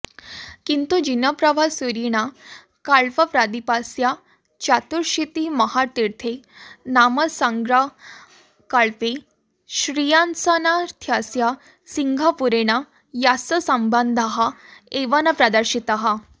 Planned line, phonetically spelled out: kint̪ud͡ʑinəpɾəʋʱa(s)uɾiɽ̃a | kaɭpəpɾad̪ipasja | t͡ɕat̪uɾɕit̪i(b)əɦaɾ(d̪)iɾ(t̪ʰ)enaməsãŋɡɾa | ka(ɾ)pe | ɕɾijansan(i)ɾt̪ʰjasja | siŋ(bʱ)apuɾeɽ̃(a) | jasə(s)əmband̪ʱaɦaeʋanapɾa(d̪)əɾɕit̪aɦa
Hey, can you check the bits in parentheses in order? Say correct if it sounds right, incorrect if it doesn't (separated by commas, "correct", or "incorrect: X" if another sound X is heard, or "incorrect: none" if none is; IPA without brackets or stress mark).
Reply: correct, incorrect: m, incorrect: t̪, correct, incorrect: ɭ, incorrect: a, incorrect: ɡʱ, correct, correct, correct